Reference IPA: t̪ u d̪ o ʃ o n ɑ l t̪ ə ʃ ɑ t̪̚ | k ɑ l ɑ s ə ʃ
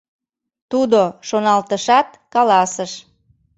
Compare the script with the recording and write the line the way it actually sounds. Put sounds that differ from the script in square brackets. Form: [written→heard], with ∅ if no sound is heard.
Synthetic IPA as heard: t̪ u d̪ o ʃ o n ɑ l t̪ ə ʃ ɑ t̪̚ | k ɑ l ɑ s ə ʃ